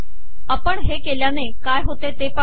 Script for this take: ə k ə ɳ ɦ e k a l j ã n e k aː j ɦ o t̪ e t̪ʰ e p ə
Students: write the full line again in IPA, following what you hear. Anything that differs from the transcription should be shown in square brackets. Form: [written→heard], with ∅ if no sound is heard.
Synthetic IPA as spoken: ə [k→p] ə ɳ ɦ e k [a→e] l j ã n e k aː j ɦ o t̪ e [t̪ʰ→t̪] e p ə